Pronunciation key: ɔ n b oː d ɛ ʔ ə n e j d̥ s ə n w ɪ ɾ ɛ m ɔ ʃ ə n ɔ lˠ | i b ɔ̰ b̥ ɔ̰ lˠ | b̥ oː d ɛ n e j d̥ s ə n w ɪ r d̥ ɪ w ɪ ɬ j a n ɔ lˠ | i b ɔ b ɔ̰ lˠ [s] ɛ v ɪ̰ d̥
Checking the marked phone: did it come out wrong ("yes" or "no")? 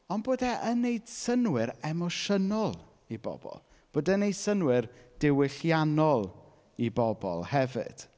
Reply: yes